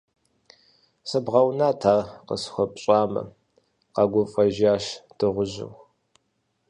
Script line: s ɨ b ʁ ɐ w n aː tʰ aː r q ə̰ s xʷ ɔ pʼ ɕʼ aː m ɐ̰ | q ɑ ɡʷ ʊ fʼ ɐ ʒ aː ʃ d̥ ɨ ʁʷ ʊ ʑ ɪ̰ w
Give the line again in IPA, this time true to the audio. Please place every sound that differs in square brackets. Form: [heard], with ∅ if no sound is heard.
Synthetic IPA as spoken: s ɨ b ʁ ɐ w n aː tʰ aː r q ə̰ s xʷ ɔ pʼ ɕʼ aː m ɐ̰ | q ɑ ɡʷ ʊ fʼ ɐ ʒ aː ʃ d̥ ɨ ʁʷ ʊ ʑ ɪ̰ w

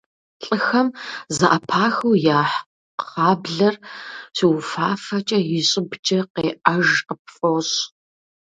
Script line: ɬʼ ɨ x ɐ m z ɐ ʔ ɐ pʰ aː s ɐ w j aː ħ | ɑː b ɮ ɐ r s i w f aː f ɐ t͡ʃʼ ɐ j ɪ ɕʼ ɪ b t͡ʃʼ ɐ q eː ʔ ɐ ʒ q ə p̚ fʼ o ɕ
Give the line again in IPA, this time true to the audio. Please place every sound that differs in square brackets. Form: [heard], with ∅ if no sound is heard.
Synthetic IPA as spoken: ɬʼ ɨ x ɐ m z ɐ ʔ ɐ pʰ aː [x] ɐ w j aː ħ | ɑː b ɮ ɐ r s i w f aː f ɐ t͡ʃʼ ɐ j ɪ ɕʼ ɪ b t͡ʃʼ ɐ q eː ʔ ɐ ʒ q ə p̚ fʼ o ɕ

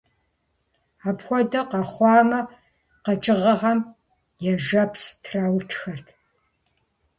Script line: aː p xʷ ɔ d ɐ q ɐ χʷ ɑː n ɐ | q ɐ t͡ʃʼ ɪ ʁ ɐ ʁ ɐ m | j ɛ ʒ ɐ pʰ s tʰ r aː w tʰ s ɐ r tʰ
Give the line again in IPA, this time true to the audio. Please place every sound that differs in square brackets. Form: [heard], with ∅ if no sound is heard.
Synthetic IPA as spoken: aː p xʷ ɔ d ɐ q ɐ χʷ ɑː [m] ɐ | q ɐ t͡ʃʼ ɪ ʁ ɐ ʁ ɐ m | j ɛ ʒ ɐ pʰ s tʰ r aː w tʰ [x] ɐ r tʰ

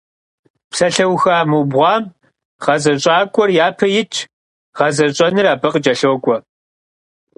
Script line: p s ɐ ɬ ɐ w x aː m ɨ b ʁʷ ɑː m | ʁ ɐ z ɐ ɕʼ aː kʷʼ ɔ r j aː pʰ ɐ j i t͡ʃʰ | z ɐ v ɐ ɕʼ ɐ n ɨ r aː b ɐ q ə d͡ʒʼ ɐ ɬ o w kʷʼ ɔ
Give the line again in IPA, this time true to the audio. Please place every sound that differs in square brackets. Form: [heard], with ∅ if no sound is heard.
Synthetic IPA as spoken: p s ɐ ɬ ɐ w x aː m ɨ b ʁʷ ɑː m | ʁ ɐ z ɐ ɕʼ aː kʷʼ ɔ r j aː pʰ ɐ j [ɪ] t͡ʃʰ | [ʁ] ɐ [z] ɐ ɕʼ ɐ n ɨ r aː b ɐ q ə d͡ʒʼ ɐ ɬ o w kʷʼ ɔ

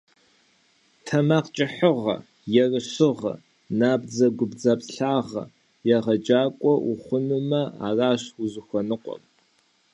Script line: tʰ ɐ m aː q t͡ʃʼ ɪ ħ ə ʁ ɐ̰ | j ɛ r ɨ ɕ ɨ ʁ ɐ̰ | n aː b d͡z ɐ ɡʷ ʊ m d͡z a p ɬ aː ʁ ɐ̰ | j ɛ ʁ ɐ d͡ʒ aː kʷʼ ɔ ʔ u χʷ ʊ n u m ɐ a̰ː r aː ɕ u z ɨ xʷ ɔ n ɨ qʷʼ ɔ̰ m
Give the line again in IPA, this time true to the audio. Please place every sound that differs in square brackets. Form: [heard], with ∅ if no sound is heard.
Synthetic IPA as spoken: tʰ ɐ m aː q t͡ʃʼ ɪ ħ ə ʁ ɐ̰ | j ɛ r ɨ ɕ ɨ ʁ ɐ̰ | n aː b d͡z ɐ ɡʷ ʊ [b] d͡z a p ɬ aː ʁ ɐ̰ | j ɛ ʁ ɐ d͡ʒ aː kʷʼ ɔ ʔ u χʷ ʊ n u m ɐ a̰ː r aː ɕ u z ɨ xʷ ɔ n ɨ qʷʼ ɔ̰ m

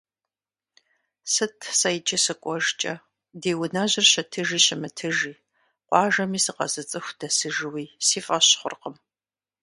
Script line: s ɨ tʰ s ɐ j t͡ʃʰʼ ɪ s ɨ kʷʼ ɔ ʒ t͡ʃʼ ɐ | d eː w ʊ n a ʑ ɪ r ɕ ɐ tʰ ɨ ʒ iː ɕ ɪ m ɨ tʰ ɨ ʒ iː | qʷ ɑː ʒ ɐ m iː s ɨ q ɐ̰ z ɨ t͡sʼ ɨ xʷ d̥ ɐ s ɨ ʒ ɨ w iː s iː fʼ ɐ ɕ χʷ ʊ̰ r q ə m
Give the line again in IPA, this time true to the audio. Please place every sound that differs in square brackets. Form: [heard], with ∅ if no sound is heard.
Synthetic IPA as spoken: s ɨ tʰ s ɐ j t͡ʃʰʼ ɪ s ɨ kʷʼ ɔ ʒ t͡ʃʼ ɐ | d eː w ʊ n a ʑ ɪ r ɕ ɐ tʰ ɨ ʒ iː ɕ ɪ m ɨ tʰ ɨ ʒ iː | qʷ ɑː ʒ ɐ m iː s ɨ q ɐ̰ z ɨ t͡sʼ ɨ xʷ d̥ ɐ s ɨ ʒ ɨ w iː s iː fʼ ɐ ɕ χʷ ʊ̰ r q ə m

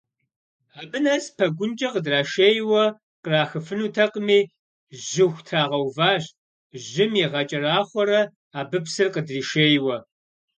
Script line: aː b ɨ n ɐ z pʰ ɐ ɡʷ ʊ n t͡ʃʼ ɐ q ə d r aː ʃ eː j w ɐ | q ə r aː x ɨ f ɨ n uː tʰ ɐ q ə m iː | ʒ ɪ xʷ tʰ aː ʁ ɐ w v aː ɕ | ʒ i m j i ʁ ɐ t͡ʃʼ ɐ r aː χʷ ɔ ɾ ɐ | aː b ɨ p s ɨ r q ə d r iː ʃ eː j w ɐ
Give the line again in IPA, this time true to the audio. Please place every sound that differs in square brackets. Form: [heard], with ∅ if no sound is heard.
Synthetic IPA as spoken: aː b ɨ n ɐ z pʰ ɐ ɡʷ ʊ n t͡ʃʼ ɐ q ə d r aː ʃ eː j w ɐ | q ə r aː x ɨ f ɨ n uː tʰ ɐ q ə m iː | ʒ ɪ xʷ tʰ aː ʁ ɐ w v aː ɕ | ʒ [ɪ] m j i ʁ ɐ t͡ʃʼ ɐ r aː χʷ ɔ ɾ ɐ | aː b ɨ p s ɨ r q ə d r iː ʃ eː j w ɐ

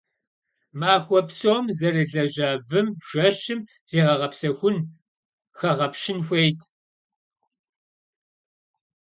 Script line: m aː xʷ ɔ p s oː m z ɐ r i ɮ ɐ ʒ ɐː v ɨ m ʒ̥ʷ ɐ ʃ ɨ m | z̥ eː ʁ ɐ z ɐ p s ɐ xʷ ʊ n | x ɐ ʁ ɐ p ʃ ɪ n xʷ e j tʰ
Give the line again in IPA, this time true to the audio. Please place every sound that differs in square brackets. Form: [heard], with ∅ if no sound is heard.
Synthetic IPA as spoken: m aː xʷ ɔ p s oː m z ɐ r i ɮ ɐ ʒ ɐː v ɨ m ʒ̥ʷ ɐ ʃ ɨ m | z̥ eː ʁ ɐ [ʁ] ɐ p s ɐ xʷ ʊ n | x ɐ ʁ ɐ p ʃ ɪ n xʷ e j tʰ

